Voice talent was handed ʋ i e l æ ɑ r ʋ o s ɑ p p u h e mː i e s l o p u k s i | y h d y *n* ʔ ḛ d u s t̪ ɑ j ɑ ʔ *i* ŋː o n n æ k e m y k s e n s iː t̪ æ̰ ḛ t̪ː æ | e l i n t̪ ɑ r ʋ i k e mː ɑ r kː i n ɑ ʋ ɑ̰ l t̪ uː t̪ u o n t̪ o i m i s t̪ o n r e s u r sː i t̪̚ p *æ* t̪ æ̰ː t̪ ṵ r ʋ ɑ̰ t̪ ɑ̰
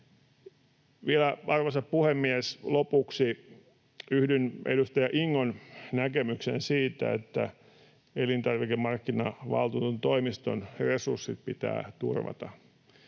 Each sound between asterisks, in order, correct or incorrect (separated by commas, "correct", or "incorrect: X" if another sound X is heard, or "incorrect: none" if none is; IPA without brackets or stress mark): correct, correct, incorrect: i